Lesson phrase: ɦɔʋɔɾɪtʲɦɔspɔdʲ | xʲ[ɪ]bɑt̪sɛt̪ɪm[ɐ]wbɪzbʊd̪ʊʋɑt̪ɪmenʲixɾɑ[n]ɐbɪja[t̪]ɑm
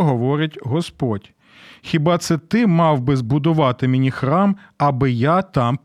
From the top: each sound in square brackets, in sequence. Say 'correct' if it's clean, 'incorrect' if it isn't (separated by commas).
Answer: incorrect, incorrect, incorrect, correct